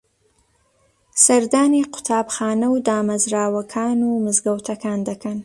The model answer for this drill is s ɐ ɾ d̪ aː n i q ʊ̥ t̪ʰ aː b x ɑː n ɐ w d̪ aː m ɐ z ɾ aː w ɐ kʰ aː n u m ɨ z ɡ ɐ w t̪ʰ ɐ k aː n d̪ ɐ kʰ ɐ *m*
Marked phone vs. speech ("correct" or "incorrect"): incorrect